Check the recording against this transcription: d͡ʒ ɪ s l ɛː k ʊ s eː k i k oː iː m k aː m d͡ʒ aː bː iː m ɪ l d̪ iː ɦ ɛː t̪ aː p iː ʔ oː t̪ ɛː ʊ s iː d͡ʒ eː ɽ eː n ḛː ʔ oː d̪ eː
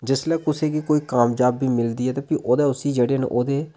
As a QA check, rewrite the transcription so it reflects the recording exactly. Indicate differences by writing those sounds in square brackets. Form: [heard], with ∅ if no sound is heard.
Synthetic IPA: d͡ʒ ɪ s l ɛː k ʊ s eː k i k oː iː [∅] k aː m d͡ʒ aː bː iː m ɪ l d̪ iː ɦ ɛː t̪ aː p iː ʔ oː [d̪] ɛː ʊ s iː d͡ʒ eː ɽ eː n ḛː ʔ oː d̪ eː